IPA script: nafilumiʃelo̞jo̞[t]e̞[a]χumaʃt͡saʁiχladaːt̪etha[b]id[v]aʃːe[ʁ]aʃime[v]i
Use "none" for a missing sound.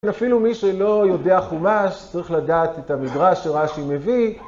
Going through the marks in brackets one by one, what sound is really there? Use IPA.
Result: d, a, m, ʁ, ʁ, v

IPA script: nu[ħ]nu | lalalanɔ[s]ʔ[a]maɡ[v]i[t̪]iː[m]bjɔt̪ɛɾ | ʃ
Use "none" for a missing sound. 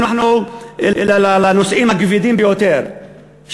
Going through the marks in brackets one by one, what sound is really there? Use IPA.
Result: ħ, s, i, v, d̪, m

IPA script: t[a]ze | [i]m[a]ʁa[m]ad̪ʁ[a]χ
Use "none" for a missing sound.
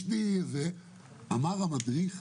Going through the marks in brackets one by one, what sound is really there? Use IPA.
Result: i, a, a, m, i

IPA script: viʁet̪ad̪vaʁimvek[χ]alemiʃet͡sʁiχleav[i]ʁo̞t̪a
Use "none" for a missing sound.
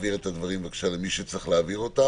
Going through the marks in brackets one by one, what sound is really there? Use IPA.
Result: ʃ, i

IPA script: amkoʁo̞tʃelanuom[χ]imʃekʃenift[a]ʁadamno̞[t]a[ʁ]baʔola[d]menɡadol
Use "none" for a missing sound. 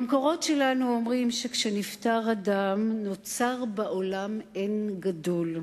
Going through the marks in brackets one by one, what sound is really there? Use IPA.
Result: ʁ, a, t͡s, ʁ, none

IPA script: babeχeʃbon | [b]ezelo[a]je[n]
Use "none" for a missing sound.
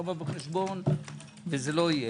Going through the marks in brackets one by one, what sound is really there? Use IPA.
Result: v, i, none

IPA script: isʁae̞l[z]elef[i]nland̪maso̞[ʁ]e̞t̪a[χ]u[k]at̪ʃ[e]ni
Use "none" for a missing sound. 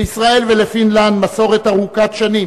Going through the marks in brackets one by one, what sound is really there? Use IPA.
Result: v, i, ʁ, ʁ, k, a

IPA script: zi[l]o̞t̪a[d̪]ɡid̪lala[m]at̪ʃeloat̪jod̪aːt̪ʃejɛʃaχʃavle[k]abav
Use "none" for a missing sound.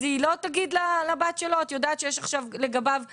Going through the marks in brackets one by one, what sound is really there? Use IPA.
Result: l, none, b, ɡ

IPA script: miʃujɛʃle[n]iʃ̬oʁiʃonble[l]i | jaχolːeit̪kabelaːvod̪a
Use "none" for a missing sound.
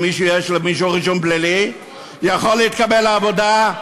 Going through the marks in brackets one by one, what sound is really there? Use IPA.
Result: m, l

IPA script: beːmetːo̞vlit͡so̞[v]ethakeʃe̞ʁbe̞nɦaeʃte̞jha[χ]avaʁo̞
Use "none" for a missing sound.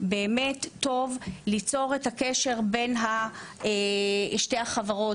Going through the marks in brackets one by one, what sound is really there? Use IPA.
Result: ʁ, χ

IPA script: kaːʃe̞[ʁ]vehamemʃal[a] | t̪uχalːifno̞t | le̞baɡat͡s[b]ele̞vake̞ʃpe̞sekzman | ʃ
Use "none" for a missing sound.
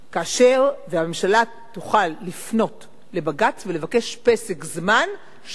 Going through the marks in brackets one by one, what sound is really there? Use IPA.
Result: ʁ, a, v

